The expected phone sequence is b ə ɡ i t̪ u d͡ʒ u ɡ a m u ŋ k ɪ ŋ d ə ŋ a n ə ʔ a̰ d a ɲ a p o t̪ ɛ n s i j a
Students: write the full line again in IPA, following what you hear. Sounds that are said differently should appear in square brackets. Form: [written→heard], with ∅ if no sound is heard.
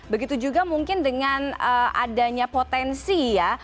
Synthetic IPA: b ə ɡ i t̪ u d͡ʒ u ɡ a m u ŋ k ɪ [ŋ→n] d ə ŋ a n ə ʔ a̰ d a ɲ a p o t̪ ɛ n s i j a